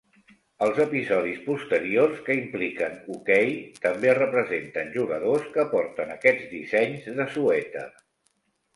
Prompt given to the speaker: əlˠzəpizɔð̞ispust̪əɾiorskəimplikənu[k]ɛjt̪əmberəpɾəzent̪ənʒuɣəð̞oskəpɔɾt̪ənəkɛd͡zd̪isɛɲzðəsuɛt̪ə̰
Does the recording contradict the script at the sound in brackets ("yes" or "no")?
no